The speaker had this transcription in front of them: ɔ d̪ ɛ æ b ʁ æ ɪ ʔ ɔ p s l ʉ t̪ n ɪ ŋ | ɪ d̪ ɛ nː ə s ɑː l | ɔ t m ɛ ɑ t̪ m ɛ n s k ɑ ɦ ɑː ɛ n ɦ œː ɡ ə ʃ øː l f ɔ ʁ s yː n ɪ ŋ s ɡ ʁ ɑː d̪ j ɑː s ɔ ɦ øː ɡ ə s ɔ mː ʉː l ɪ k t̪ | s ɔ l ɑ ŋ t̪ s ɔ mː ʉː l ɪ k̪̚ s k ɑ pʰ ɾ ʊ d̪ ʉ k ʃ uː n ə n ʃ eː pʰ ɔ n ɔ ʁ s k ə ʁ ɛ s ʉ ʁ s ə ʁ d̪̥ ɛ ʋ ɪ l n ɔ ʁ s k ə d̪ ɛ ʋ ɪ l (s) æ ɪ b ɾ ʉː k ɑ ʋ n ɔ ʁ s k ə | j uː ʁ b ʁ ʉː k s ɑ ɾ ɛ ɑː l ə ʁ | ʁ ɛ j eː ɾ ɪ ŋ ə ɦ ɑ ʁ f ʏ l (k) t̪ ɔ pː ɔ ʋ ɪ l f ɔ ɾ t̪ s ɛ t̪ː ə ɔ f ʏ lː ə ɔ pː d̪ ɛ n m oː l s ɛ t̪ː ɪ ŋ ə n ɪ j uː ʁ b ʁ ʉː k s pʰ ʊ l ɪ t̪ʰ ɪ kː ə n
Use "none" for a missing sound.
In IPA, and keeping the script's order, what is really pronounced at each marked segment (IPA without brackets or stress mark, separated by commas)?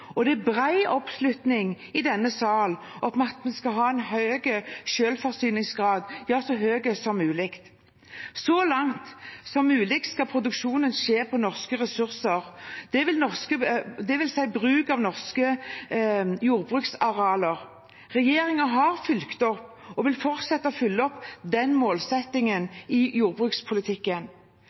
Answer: s, k